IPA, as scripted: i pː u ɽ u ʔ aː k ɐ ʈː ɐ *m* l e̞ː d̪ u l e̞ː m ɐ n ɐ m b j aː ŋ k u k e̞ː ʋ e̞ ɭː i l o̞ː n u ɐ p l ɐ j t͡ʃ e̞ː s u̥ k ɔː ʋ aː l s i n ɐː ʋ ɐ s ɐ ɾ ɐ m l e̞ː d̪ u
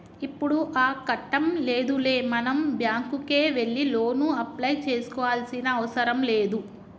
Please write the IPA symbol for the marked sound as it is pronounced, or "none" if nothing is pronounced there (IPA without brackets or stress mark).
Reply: m